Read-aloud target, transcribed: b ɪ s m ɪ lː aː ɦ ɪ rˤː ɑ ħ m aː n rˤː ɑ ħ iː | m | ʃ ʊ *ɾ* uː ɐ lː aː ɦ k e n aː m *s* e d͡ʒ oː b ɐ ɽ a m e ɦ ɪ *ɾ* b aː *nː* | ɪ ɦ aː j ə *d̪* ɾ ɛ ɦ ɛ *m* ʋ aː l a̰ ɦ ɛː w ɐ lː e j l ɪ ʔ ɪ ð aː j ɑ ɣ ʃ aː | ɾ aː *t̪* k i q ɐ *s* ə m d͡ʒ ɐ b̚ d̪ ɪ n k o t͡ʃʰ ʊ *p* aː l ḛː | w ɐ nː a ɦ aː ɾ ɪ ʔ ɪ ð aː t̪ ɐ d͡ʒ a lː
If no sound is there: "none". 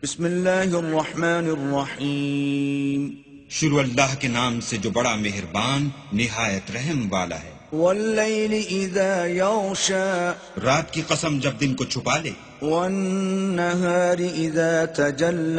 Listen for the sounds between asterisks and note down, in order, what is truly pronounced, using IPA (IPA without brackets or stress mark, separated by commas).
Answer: ɾ, s, ɾ, nː, t̪, m, t̪, s, p